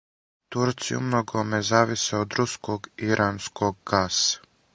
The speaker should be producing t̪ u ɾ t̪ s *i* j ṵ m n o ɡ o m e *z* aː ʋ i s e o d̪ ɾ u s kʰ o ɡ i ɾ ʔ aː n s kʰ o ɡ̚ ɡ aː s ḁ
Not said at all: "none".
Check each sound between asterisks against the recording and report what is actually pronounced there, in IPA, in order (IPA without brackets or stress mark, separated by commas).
i, z